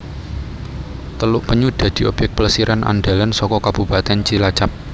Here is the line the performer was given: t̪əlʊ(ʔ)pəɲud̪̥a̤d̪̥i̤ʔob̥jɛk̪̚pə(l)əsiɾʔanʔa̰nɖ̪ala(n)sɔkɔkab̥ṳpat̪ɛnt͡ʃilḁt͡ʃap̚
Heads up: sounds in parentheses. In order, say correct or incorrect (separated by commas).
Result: correct, correct, correct